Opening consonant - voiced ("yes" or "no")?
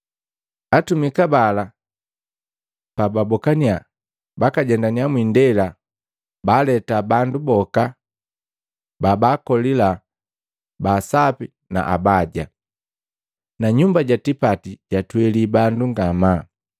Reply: no